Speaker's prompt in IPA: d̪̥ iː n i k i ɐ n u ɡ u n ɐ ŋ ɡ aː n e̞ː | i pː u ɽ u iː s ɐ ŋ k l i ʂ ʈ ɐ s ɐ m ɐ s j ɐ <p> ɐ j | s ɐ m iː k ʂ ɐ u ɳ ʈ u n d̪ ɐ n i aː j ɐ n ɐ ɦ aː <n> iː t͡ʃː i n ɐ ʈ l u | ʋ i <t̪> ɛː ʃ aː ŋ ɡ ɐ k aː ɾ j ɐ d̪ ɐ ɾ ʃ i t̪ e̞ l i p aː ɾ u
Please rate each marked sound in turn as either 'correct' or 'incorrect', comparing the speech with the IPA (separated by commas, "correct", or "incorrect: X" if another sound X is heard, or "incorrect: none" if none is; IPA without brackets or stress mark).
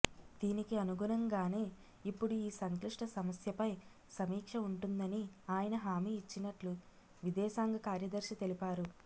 correct, incorrect: m, incorrect: d̪